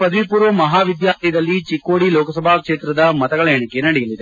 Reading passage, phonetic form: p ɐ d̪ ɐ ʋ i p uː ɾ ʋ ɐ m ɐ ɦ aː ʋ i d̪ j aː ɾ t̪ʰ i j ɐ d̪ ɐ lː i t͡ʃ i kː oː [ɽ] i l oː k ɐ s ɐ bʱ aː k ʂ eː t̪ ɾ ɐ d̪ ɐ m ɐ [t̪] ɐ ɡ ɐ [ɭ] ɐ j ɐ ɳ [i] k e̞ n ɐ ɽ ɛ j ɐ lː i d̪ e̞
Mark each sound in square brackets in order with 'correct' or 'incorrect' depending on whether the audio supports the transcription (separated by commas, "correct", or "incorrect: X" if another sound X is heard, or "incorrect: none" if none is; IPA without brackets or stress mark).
correct, correct, correct, correct